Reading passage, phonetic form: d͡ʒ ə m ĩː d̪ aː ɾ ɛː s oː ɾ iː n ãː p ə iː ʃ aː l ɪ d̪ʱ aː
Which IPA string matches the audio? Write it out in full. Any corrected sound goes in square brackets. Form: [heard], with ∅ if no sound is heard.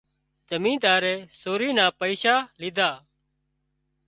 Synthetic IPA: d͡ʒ ə m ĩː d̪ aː ɾ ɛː s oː ɾ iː n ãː p ə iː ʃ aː l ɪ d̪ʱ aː